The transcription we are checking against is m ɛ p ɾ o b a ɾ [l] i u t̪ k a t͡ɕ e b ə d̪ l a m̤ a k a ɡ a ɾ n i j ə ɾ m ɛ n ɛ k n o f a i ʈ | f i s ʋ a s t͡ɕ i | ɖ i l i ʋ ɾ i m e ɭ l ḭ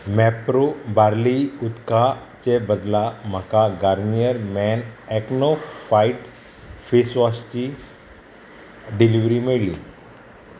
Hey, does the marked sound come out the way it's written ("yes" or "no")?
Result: yes